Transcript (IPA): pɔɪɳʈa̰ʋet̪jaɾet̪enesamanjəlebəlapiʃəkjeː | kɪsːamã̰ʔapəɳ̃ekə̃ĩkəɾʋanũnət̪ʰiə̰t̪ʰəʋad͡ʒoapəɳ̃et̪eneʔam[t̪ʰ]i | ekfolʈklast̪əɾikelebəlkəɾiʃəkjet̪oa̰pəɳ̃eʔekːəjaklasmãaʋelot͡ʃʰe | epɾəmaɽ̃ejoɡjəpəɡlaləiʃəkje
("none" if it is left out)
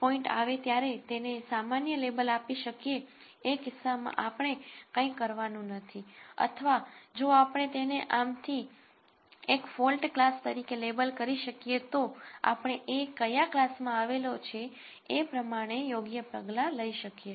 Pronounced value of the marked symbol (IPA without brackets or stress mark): t̪ʰ